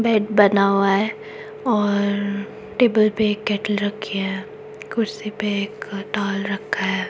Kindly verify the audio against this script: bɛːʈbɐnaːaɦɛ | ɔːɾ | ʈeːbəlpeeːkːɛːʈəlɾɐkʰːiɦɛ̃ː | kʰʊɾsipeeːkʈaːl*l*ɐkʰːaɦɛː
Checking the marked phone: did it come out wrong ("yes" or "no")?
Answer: yes